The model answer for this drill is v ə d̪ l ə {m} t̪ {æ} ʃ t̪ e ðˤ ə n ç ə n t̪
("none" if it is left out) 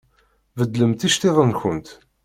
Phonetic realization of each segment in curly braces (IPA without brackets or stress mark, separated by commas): m, i